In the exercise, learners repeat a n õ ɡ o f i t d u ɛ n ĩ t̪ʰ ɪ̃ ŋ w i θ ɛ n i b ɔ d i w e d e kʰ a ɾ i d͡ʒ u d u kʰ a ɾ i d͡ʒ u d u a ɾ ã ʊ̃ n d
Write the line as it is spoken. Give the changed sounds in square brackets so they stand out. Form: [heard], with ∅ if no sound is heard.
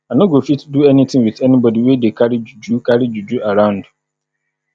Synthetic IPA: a n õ ɡ o f i t d u ɛ n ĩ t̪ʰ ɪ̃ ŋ w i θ ɛ n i b ɔ d i w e d e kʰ a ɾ i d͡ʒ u [d͡ʒ] u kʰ a ɾ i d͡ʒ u [d͡ʒ] u a ɾ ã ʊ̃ n d

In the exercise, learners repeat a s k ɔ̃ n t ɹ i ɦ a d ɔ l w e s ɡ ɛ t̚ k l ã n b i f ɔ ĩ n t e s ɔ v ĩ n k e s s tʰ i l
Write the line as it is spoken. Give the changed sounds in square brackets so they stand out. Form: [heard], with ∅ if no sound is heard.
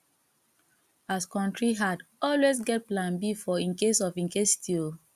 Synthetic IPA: a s k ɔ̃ n t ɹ i ɦ a d ɔ l w e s ɡ ɛ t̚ [p] l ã n b i f ɔ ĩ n [k] e s ɔ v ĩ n k e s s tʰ i l

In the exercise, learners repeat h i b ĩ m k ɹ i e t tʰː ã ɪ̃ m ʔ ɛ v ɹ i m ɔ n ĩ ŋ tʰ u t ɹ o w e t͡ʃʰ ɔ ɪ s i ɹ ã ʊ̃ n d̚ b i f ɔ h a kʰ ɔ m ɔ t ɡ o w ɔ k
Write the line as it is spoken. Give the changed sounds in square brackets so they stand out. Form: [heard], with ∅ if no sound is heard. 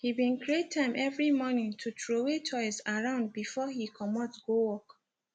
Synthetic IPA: h i b ĩ [n] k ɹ i e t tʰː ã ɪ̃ m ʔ ɛ v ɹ i m ɔ n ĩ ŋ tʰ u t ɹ o w e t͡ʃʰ ɔ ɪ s [a] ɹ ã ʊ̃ n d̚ b i f ɔ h [i] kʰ ɔ m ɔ t ɡ o w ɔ k

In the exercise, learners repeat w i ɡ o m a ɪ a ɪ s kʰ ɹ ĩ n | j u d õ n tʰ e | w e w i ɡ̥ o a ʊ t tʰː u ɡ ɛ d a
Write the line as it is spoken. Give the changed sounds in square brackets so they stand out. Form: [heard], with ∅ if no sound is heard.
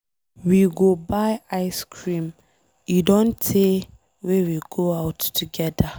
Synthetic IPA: w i ɡ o [b] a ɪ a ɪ s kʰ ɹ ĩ [m] | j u d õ n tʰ e | w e w i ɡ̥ o a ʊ t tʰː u ɡ ɛ d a

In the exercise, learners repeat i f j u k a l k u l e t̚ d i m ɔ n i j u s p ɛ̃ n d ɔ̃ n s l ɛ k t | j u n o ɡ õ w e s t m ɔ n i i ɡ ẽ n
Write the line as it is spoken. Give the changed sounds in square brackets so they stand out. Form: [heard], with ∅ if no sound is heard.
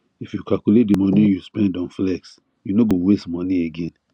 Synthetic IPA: i f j u k a l k u l e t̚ d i m ɔ n i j u s p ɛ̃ n d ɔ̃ n [f] l ɛ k [s] | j u n o ɡ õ w e s t m ɔ n i [e] ɡ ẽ n

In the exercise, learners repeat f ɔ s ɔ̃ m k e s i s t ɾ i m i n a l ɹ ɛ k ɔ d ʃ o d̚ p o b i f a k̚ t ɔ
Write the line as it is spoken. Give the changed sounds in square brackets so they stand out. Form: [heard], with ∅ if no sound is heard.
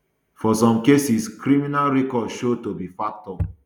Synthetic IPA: f ɔ s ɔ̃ m k e s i s [k] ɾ i m i n a l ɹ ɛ k ɔ d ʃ o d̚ [t] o b i f a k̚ t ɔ

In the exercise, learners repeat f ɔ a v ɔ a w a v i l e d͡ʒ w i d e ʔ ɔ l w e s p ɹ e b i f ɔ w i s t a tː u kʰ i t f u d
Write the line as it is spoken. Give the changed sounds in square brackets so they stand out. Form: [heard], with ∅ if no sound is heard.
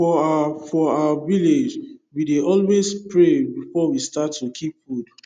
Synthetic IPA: f ɔ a [f] ɔ a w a v i l e d͡ʒ w i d e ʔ ɔ l w e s p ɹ e b i f ɔ w i s t a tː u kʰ i [p] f u d

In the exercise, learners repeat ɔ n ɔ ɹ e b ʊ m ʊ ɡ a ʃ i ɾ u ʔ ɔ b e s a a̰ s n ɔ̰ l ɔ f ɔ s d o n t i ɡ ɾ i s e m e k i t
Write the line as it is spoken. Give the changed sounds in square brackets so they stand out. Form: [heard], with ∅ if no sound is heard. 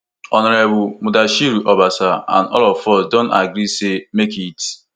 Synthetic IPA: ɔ n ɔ [ɾ] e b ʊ m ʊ [d] a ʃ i ɾ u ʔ ɔ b [a] s a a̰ [∅] n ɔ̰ l ɔ f ɔ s d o n t [a] ɡ ɾ i s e m e k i t

